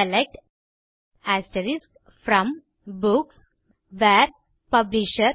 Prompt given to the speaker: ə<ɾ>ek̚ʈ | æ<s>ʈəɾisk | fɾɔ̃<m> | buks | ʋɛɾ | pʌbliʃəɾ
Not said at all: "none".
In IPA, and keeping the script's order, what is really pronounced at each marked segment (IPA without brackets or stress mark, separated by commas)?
l, s, m